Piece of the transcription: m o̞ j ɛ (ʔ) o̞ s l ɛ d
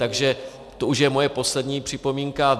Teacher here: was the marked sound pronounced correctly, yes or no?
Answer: no